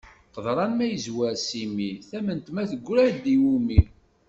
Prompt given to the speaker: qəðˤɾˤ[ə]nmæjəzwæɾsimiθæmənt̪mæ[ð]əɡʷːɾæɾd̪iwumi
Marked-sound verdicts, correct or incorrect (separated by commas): incorrect, incorrect